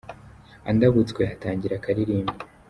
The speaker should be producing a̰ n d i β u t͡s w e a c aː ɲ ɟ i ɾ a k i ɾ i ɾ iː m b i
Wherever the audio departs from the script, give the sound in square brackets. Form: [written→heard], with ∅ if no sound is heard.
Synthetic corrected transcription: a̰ n d [i→a] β u t͡s w e a [c→t] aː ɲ ɟ i ɾ a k [i→a] ɾ i ɾ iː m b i